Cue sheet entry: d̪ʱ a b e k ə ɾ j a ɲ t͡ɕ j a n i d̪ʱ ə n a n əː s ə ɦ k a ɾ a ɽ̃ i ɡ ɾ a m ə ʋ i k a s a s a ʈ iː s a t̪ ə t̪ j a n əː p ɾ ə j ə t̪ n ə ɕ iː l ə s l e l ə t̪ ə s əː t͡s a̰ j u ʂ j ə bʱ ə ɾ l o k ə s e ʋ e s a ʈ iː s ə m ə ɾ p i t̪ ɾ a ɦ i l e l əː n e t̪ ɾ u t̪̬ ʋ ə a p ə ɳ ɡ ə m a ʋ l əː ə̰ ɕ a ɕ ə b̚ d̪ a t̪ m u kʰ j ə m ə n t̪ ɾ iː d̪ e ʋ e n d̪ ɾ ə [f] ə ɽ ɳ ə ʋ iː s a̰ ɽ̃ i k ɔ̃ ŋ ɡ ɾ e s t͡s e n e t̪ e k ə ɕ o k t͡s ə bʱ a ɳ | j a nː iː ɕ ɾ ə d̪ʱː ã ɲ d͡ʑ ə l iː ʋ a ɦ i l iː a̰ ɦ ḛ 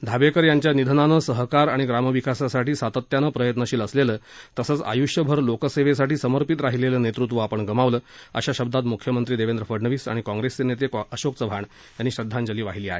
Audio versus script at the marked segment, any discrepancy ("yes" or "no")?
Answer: no